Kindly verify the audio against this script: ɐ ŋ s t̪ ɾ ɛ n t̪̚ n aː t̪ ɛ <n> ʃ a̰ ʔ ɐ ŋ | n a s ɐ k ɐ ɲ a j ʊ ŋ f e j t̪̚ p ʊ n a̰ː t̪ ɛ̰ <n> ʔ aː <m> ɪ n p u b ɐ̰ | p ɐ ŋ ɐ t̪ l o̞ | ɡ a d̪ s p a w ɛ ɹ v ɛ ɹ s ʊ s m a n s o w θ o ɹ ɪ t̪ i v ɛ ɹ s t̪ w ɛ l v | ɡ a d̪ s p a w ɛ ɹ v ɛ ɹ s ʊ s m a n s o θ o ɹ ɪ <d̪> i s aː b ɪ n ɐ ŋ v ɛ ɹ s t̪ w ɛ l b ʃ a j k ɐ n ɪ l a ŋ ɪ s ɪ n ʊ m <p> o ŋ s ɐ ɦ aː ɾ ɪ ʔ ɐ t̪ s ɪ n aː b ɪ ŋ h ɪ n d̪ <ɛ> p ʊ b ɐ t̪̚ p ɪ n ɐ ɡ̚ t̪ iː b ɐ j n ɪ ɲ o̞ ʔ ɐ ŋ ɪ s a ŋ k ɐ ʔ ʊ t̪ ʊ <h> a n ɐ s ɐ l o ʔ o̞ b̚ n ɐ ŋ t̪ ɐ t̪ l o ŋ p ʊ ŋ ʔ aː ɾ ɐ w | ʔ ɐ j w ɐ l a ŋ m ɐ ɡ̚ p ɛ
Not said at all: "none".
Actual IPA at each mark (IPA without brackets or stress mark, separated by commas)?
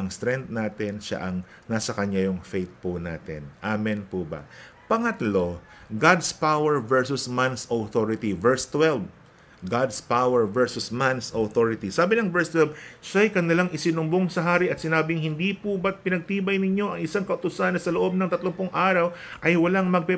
n, n, m, t̪, b, i, s